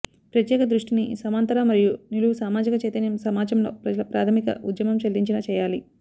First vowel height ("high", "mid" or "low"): low